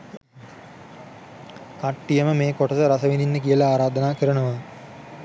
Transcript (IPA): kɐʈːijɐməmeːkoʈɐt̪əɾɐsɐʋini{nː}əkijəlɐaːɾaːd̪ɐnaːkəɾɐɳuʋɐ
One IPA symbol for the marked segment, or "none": nː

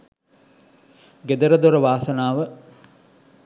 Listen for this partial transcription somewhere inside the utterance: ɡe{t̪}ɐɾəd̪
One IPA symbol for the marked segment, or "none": d̪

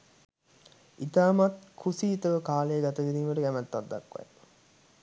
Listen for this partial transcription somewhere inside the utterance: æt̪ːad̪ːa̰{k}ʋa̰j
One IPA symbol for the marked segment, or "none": k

